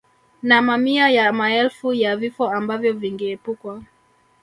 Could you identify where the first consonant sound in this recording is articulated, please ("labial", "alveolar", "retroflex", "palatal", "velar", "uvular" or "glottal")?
alveolar